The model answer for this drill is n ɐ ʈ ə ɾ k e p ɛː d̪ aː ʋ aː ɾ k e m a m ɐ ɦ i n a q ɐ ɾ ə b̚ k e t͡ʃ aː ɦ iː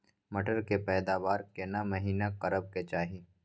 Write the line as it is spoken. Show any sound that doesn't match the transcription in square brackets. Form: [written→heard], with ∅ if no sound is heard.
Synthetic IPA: [n→m] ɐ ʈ ə ɾ k e p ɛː d̪ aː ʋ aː ɾ k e [m→n] a m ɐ ɦ [i→iː] n a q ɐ ɾ ə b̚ k e t͡ʃ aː ɦ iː